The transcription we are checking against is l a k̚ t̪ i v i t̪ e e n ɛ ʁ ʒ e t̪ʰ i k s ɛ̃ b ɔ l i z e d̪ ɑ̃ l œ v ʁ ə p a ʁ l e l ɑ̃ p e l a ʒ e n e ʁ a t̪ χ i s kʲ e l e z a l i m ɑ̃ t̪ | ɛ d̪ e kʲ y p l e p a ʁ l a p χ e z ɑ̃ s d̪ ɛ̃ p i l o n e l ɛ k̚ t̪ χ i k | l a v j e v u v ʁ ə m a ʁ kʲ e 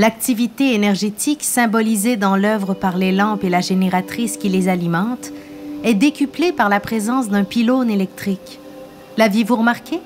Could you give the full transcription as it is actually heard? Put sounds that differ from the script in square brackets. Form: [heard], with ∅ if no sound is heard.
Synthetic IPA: l a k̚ t̪ i v i t̪ e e n ɛ ʁ ʒ e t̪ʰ i k s ɛ̃ b ɔ l i z e d̪ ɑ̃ l œ v ʁ ə p a ʁ l e l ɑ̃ p e l a ʒ e n e ʁ a t̪ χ i s kʲ [i] l e z a l i m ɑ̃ t̪ | ɛ d̪ e kʲ y p l e p a ʁ l a p χ e z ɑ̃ s d̪ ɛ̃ p i l o n e l ɛ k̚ t̪ χ i k | l a v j e v u [∅] ʁ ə m a ʁ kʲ e